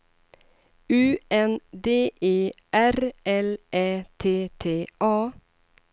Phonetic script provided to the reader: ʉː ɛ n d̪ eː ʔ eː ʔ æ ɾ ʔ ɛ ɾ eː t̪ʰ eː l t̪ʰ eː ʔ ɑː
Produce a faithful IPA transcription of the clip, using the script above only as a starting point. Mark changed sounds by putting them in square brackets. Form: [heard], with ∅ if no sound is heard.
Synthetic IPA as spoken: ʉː ɛ n d̪ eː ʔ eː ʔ æ ɾ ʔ ɛ [l] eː t̪ʰ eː [∅] t̪ʰ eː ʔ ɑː